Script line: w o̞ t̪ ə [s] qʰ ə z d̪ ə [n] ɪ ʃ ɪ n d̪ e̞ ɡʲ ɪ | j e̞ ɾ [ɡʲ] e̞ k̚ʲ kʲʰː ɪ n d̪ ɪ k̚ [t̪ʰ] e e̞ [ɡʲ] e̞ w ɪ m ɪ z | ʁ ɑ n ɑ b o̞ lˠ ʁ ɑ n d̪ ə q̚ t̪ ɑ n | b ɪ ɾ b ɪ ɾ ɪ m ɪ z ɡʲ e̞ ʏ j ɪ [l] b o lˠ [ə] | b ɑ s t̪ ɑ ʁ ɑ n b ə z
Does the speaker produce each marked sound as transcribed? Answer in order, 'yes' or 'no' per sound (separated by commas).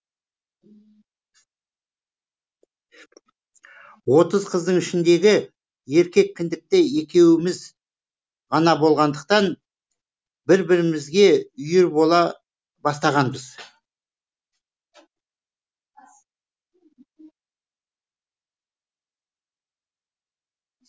no, no, no, no, no, no, no